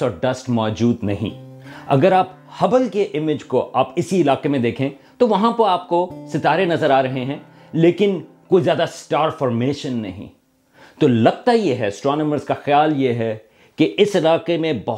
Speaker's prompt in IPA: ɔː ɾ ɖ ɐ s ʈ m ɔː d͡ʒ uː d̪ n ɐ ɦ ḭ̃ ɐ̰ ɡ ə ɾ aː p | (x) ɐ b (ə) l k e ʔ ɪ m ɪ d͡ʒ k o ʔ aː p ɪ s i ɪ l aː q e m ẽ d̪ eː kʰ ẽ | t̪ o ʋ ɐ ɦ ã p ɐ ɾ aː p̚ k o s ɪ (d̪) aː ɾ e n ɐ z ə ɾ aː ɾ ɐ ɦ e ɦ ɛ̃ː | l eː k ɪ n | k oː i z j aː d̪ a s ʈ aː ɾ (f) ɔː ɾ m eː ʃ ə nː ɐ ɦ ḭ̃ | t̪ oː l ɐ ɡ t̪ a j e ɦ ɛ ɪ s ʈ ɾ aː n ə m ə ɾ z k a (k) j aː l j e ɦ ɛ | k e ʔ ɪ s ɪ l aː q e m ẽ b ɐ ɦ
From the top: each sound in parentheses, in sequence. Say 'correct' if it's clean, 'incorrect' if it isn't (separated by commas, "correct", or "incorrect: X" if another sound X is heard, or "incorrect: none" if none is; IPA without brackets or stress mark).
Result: incorrect: h, correct, incorrect: t̪, correct, incorrect: x